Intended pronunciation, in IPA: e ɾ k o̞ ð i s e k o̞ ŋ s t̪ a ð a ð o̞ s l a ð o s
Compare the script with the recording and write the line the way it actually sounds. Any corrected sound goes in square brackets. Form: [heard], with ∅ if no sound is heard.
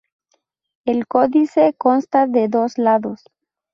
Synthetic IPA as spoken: e [l] k o̞ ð i s e k o̞ [n] s t̪ a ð [e] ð o̞ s l a ð o s

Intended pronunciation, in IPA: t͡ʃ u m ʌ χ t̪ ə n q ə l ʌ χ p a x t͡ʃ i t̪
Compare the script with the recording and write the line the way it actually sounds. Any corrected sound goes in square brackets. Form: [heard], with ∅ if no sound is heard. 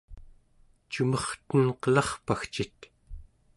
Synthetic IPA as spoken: t͡ʃ u m ʌ χ t̪ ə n q ə l [ɑ] χ p a x t͡ʃ i t̪

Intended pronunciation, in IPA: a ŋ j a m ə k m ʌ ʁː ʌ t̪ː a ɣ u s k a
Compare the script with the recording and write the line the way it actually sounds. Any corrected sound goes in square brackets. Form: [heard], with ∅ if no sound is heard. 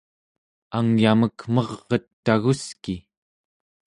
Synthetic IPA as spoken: a ŋ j a m ə k m ʌ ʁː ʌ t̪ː a ɣ u s k [i]

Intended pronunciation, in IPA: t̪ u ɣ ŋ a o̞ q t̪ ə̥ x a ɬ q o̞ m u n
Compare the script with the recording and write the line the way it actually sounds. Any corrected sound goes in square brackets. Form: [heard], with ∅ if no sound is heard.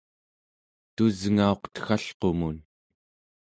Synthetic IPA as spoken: t̪ u [z] ŋ a o̞ q t̪ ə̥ x a ɬ q o̞ m u n

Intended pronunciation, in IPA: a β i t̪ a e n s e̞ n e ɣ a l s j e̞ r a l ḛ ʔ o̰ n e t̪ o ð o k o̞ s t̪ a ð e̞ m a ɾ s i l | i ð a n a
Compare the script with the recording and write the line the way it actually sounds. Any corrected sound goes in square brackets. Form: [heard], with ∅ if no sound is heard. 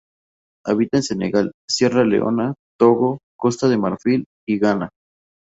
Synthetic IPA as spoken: a β i t̪ a e n s e̞ n e ɣ a l s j e̞ r a l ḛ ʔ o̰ n [a] t̪ o [ɣ] o k o̞ s t̪ a ð e̞ m a ɾ [f] i l | i [ɣ] a n a

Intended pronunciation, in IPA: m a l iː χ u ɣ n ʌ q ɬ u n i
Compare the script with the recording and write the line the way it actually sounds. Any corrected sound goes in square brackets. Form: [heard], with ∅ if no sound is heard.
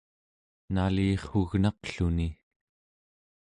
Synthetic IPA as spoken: [n] a l iː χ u ɣ n [ɑ] q ɬ u n i

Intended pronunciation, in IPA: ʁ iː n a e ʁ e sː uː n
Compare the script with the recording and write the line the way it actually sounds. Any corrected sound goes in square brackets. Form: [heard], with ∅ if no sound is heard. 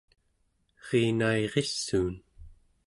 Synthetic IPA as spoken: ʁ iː n a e ʁ e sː uː n

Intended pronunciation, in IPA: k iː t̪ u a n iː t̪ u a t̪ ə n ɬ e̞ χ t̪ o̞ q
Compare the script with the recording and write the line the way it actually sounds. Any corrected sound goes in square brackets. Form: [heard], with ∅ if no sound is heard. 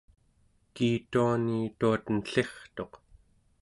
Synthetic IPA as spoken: k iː t̪ u a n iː t̪ u a t̪ ə n ɬ e̞ χ t̪ o̞ q

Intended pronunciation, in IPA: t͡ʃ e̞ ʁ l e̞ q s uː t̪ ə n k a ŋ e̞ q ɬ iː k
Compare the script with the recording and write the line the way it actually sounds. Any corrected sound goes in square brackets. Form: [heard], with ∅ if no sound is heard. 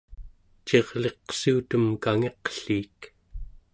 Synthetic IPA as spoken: t͡ʃ e̞ ʁ l e̞ q s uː t̪ ə [m] k a ŋ e̞ q ɬ iː k

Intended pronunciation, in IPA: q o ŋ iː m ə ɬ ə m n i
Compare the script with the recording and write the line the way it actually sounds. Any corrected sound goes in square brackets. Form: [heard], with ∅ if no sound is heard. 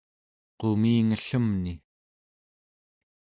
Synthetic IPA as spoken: q o [m] iː [ŋ] ə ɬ ə m n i

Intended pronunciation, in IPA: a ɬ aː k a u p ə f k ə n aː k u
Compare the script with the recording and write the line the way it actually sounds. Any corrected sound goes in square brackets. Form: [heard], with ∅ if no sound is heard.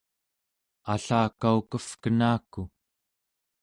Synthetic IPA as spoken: a ɬ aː k a u [k] ə f k ə n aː k u

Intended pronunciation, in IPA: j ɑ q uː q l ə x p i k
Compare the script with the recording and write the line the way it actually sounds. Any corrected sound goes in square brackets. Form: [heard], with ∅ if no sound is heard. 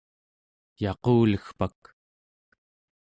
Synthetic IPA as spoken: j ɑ q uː [∅] l ə x p [a] k

